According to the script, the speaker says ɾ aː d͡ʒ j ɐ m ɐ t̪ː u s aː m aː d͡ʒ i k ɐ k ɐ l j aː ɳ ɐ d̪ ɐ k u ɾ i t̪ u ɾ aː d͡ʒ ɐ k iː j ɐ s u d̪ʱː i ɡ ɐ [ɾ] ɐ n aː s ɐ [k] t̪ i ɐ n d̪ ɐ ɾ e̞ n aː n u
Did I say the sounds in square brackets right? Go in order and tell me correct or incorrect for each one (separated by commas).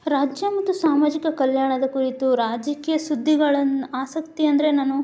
incorrect, correct